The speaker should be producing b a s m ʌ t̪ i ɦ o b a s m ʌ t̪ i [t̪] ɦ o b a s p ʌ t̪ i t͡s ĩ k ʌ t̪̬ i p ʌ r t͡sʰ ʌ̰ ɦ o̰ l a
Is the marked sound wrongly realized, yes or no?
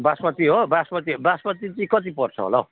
yes